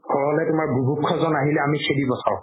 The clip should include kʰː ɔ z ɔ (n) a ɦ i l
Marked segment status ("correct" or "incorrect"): correct